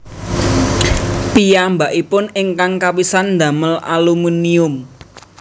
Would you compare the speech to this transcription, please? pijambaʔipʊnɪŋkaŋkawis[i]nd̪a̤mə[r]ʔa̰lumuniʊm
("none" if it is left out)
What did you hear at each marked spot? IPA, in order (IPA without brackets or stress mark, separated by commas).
a, l